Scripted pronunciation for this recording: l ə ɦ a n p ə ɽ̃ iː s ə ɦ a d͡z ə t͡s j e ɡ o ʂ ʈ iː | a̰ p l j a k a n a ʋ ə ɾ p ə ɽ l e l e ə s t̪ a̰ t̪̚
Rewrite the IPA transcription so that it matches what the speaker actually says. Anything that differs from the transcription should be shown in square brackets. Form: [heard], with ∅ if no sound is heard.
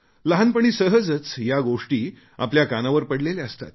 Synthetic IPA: l ə ɦ a n p ə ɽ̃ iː s ə ɦ [ə] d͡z ə t͡s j [a] ɡ o ʂ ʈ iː | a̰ p l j a k a n a ʋ ə ɾ p ə ɽ l e l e ə s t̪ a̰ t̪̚